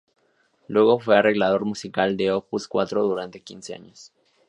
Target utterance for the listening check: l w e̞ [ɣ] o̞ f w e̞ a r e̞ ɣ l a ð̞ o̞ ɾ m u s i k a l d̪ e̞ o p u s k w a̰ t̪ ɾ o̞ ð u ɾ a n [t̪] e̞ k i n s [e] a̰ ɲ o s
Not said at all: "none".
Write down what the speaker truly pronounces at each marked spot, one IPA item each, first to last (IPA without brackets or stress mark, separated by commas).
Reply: ɣ, t̪, e